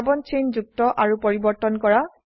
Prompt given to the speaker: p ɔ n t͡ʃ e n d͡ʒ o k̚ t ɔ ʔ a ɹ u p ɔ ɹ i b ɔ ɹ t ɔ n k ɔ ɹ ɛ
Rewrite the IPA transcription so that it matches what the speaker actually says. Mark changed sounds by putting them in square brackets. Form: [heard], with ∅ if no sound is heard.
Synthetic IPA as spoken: [b] ɔ n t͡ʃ e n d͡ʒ [u] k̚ t ɔ ʔ a ɹ u p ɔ ɹ i b ɔ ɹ t ɔ n k ɔ ɹ [a]